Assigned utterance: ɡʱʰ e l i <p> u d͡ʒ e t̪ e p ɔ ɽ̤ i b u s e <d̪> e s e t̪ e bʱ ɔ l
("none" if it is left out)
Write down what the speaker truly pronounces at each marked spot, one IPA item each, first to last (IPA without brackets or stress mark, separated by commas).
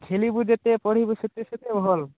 b, t̪